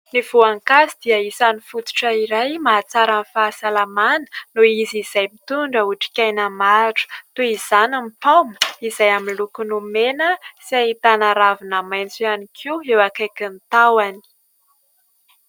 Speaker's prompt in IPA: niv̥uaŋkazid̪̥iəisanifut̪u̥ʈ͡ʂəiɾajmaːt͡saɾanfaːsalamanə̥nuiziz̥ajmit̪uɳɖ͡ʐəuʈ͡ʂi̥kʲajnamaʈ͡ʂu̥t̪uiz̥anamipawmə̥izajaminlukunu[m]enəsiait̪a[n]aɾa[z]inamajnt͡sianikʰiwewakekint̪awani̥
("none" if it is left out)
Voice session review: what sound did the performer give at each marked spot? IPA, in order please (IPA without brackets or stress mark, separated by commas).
m, n, v